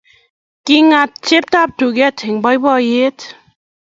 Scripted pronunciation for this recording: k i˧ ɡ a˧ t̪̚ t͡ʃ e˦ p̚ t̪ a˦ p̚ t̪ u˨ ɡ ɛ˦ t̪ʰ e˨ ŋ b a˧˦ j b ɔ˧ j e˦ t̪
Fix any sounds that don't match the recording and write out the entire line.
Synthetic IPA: k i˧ ŋ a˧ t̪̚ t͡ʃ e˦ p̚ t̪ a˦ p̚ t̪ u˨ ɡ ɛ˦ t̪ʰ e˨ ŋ b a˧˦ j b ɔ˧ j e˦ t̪